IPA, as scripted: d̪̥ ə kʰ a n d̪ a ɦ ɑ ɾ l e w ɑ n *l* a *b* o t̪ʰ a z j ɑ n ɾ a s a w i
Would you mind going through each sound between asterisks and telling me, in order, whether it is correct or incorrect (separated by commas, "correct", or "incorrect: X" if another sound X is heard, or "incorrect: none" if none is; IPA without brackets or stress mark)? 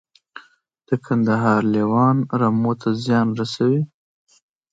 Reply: incorrect: ɾ, incorrect: m